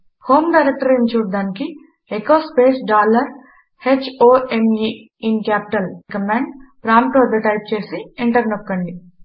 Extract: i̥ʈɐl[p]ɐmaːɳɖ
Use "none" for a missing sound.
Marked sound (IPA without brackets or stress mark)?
k